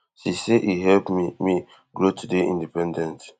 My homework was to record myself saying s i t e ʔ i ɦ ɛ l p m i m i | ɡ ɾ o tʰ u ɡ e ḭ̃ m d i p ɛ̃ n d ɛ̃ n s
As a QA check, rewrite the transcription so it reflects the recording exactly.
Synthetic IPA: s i s e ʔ i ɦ ɛ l p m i m i | ɡ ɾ o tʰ u d e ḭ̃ n d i p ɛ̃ n d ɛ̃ n t